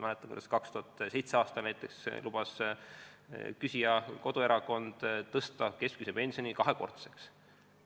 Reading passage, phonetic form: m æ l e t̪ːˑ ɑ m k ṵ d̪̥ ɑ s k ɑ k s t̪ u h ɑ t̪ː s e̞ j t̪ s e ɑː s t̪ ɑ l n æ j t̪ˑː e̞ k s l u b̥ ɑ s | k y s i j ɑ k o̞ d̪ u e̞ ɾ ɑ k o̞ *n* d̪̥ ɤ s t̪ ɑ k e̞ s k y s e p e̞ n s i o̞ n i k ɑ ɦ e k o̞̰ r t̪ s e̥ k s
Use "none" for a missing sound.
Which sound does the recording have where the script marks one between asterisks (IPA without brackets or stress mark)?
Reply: n